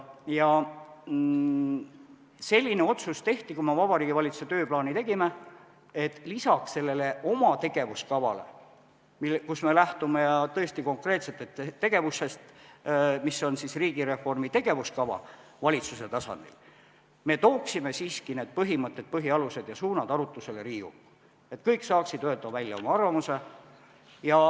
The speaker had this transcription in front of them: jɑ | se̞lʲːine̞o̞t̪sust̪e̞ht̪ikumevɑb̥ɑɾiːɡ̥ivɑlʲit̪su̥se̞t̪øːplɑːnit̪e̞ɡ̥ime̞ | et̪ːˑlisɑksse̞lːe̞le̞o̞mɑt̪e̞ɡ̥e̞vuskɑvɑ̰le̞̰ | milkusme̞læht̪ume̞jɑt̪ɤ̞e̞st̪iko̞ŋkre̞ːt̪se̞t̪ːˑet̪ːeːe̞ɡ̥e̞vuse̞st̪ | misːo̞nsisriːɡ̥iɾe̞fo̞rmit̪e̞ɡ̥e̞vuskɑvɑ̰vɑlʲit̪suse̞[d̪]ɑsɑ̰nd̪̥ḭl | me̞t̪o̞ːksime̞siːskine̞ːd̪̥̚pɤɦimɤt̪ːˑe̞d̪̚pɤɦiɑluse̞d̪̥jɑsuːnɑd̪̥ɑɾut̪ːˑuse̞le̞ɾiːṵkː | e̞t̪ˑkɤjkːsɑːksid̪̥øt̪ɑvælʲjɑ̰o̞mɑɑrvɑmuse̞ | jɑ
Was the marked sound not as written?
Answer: yes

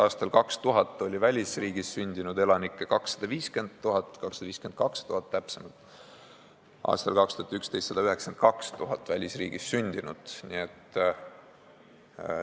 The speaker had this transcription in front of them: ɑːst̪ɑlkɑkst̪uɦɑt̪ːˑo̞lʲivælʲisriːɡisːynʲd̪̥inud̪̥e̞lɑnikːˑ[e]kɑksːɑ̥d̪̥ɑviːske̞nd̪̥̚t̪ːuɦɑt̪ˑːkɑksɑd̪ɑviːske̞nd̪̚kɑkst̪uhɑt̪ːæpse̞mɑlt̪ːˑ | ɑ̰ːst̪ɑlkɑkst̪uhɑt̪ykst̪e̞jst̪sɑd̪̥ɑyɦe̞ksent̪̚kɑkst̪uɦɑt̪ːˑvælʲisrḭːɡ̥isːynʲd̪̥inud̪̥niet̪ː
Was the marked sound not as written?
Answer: no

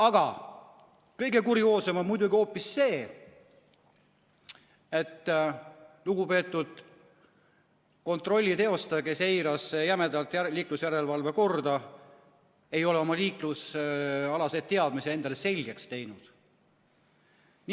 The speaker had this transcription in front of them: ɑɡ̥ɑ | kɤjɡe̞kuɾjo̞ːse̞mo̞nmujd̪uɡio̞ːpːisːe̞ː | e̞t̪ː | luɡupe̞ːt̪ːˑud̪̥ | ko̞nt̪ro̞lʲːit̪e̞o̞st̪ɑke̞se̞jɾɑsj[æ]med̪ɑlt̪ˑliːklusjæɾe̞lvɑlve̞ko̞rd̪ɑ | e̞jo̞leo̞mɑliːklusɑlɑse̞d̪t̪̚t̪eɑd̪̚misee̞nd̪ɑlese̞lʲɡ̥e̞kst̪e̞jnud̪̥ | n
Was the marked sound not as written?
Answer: no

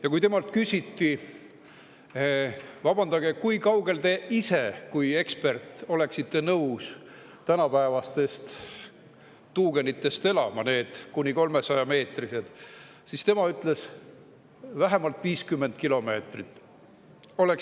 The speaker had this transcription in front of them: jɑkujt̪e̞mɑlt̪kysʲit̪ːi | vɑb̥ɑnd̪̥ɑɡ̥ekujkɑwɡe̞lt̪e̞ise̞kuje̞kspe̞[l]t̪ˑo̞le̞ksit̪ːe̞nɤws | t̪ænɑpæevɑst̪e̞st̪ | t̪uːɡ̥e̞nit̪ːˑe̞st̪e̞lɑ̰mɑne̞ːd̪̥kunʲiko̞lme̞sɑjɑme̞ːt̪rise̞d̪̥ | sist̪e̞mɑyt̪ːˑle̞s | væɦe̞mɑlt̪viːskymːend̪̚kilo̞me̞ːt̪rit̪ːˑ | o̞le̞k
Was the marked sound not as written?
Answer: yes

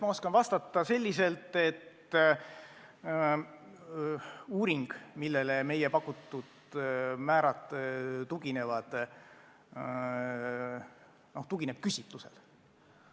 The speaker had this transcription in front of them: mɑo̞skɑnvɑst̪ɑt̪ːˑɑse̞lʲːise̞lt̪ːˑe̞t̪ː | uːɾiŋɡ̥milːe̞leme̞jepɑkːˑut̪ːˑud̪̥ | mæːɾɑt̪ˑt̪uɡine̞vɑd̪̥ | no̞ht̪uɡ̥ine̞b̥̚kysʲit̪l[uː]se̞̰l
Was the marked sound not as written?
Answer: yes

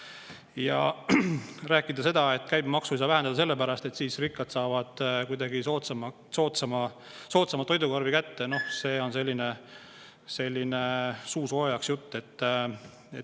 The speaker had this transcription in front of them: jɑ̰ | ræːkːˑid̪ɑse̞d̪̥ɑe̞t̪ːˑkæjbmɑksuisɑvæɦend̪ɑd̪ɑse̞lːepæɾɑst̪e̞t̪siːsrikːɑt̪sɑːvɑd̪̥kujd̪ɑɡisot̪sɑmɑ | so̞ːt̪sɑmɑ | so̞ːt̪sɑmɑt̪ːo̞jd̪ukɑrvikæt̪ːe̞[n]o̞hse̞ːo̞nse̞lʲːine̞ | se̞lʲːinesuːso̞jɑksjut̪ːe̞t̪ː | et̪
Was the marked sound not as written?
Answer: no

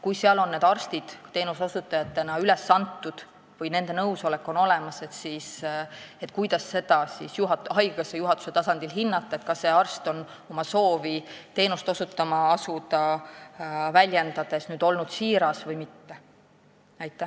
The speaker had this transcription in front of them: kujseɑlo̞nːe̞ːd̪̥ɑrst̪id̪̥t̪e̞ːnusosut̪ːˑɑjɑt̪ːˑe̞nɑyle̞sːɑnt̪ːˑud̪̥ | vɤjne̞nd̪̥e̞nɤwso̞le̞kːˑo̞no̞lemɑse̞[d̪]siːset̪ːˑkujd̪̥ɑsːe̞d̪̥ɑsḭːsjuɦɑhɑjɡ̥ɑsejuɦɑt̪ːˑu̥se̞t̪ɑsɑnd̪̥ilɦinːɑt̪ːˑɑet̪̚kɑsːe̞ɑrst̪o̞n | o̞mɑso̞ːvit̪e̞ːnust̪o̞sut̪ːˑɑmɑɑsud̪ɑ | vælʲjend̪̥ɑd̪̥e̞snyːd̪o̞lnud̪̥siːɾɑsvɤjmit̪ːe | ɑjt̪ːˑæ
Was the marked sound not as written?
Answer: yes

